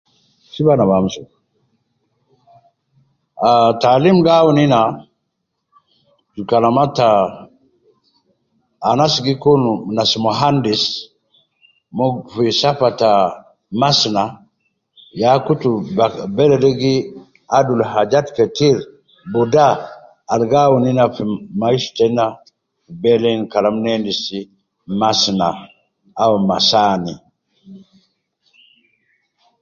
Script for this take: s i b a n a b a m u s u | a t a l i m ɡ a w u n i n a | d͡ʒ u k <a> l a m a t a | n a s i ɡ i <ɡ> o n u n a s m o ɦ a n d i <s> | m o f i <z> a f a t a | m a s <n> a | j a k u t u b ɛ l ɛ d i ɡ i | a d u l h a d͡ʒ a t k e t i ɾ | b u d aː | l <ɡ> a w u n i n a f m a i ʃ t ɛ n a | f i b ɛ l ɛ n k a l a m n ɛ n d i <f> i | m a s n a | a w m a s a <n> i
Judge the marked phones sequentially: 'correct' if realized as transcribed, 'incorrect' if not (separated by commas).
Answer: correct, incorrect, correct, incorrect, correct, correct, incorrect, correct